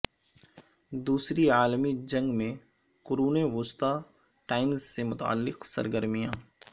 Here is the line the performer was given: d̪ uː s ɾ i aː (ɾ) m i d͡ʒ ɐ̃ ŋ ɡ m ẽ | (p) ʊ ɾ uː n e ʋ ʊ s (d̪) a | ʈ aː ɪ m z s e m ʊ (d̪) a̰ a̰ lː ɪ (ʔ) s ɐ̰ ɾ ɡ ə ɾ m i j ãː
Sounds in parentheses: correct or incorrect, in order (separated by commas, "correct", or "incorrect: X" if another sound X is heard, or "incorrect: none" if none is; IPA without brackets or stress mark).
incorrect: l, incorrect: q, incorrect: t̪, incorrect: t̪, incorrect: q